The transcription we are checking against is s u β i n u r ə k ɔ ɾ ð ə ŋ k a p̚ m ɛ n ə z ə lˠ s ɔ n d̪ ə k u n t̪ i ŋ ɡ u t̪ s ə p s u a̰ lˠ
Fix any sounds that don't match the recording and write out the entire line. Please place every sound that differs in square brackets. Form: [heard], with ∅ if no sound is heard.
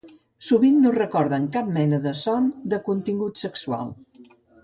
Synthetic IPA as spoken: s u β i [nː] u r ə k ɔ ɾ ð ə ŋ k a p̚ m ɛ n ə [ð] ə [∅] s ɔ n d̪ ə k u n t̪ i ŋ ɡ u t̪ s ə [k] s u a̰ lˠ